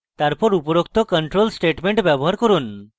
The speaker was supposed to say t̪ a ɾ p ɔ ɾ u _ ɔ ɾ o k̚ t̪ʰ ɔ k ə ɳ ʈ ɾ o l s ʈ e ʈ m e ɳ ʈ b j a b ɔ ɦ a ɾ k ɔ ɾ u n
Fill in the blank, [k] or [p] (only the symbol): p